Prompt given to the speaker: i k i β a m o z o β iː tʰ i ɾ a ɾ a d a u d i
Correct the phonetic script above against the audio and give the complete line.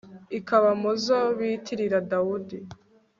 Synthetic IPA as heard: i k a β a m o z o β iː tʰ i ɾ i ɾ a d a u d i